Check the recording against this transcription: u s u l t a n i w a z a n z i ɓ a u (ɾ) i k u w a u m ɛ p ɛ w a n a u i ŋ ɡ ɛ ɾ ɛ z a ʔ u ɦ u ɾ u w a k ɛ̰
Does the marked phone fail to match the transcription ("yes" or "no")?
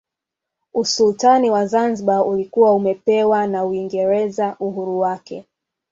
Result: yes